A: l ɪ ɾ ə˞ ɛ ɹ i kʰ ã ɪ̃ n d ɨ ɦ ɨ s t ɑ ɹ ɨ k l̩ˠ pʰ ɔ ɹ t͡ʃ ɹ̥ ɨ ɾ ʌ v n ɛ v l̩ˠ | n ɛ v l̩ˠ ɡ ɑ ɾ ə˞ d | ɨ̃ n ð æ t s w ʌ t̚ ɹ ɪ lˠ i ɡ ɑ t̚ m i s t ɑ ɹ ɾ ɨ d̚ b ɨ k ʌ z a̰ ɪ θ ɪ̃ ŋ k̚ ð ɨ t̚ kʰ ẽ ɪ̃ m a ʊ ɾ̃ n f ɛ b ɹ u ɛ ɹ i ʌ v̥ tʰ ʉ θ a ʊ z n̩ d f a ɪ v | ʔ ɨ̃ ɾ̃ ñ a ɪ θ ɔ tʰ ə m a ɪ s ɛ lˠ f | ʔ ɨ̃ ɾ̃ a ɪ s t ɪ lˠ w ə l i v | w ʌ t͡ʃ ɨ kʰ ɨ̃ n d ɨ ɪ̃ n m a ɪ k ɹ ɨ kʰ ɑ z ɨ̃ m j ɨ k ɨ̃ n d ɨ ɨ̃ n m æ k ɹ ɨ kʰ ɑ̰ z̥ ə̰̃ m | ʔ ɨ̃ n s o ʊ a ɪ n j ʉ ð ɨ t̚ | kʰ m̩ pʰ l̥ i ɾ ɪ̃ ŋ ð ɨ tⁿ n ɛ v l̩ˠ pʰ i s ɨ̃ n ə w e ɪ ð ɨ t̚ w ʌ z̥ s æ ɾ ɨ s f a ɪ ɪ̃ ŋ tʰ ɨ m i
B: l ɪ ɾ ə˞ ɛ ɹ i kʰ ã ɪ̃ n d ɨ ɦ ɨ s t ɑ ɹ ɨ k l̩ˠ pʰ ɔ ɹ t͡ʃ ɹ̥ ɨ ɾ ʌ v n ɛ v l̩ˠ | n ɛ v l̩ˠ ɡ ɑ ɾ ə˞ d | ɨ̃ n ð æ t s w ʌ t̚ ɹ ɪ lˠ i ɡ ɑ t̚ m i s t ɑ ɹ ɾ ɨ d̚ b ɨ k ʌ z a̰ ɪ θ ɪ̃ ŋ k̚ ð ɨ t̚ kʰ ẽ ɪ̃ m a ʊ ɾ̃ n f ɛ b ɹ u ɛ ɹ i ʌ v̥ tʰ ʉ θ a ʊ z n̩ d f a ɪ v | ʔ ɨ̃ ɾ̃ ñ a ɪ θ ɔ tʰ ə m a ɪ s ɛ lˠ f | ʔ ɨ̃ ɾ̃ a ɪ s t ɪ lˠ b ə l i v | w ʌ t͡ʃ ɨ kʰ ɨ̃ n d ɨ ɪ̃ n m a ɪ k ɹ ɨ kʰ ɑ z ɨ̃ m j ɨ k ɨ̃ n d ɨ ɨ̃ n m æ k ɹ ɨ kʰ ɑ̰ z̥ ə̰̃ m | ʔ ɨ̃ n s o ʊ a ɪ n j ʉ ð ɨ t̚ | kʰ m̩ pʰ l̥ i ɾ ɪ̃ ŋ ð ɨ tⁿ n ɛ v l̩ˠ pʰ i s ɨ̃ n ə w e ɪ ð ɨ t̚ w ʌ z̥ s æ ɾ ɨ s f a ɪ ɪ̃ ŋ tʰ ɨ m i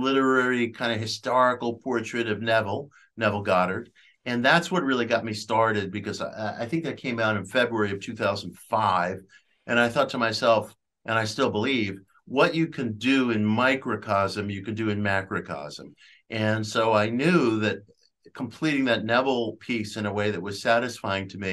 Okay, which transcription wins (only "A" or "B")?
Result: B